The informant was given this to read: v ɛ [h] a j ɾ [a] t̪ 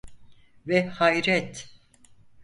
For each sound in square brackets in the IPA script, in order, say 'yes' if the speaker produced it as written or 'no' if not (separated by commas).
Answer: yes, no